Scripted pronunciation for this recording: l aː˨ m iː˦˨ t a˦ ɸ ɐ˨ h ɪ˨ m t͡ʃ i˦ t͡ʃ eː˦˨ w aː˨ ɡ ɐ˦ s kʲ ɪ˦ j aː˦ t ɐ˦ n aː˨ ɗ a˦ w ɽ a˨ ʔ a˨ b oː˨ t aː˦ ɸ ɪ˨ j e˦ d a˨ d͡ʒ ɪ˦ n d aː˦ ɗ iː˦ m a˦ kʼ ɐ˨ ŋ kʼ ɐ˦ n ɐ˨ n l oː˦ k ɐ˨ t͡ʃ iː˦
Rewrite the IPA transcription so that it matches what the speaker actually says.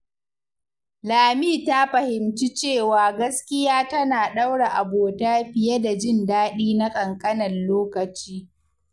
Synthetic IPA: l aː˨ m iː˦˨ t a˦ ɸ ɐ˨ h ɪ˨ m t͡ʃ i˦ t͡ʃ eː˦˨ w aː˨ ɡ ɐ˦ s kʲ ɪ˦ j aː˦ t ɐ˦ n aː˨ ɗ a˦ w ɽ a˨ ʔ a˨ b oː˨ t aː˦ ɸ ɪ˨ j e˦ d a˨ d͡ʒ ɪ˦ n d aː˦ ɗ iː˦ n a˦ kʼ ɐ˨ ŋ kʼ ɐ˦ n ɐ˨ n l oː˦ k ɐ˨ t͡ʃ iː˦